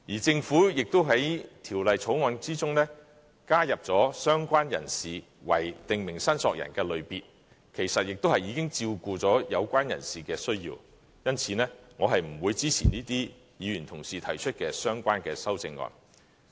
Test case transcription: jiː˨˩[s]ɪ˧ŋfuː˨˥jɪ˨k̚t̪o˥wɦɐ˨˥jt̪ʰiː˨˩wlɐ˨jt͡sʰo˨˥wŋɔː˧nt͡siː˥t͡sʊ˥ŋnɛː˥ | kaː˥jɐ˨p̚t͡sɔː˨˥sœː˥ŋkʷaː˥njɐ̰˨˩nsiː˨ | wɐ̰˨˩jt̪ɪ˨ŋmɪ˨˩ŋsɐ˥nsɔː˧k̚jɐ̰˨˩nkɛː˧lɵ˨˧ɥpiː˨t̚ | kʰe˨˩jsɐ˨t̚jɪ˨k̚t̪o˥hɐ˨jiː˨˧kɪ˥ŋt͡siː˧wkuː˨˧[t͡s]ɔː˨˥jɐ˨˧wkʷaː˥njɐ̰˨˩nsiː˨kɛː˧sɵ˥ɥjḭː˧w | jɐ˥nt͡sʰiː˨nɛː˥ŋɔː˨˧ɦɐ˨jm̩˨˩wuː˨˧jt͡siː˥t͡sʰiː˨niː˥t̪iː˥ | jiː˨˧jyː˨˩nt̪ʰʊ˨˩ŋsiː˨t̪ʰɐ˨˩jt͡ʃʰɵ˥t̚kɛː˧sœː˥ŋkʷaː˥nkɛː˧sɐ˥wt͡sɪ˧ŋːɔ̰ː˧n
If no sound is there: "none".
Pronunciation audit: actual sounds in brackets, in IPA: t͡s, t͡s

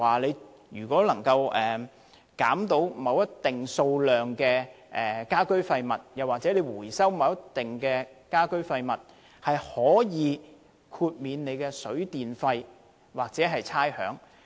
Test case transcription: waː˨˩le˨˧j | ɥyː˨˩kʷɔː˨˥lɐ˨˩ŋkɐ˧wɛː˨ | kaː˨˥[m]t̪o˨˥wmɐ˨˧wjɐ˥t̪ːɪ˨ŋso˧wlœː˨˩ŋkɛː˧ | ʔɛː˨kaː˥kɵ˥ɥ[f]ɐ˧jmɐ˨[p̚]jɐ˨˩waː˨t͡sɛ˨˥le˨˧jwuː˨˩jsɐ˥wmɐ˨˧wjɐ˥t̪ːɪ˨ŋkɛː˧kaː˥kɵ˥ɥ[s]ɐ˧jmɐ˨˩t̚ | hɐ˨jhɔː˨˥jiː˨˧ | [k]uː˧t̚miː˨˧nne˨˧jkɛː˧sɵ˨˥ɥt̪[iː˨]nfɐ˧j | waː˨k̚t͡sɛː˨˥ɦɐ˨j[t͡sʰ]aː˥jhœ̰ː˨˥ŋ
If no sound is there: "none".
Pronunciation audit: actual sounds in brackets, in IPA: m, f, t̚, f, kʰ, iː˨, t͡sʰ

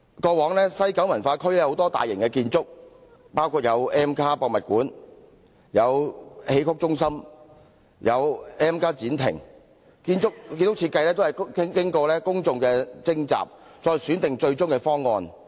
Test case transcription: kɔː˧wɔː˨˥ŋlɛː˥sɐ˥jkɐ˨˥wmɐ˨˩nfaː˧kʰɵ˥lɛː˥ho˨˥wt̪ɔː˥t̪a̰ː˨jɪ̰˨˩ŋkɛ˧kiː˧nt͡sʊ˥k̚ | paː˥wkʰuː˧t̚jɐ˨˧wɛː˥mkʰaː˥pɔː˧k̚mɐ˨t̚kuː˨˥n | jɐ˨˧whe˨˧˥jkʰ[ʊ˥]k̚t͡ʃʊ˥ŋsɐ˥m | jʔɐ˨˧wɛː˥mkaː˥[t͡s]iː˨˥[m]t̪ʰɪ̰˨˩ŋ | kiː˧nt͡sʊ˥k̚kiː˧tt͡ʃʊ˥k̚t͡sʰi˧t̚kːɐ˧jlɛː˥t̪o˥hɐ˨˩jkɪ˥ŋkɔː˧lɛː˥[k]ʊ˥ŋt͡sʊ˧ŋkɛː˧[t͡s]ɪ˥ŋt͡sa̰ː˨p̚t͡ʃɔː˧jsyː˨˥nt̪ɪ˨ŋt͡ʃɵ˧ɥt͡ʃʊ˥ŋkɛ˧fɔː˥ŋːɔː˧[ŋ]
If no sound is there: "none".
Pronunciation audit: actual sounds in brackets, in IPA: ʊ˥, t͡s, n, k, t͡s, n

